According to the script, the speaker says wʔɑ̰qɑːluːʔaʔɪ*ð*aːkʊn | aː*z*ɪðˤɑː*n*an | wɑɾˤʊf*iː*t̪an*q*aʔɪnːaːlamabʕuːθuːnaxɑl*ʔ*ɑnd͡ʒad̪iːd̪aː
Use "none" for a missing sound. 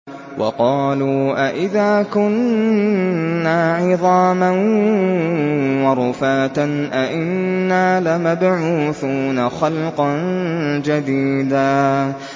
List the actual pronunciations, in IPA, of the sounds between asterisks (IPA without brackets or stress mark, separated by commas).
ð, ʕ, m, aː, ʔ, q